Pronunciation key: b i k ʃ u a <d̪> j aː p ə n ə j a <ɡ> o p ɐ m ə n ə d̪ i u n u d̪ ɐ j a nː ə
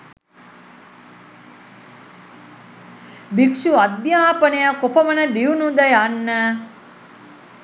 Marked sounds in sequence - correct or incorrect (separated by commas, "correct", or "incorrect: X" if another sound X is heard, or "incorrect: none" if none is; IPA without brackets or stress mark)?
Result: correct, incorrect: k